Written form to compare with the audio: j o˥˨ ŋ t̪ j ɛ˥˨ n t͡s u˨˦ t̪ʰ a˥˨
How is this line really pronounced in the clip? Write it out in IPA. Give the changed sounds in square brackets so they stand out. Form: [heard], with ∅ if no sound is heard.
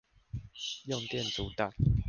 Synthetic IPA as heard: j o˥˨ ŋ t̪ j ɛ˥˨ n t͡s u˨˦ [t̪] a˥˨